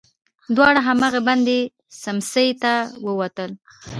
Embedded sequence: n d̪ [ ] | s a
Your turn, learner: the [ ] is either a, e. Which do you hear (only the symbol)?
e